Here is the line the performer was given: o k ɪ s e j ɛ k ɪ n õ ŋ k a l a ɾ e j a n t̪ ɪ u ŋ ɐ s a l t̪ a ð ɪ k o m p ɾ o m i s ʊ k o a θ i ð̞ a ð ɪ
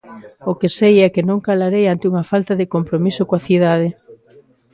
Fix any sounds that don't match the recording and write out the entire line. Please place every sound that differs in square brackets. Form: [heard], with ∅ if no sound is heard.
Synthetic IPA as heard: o k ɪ s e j ɛ k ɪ n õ ŋ k a l a ɾ e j a n t̪ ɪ u ŋ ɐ [f] a l t̪ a ð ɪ k o m p ɾ o m i s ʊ k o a θ i ð̞ a ð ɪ